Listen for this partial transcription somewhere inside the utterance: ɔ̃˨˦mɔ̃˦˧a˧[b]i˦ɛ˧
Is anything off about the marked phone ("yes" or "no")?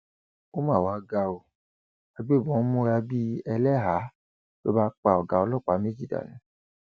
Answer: no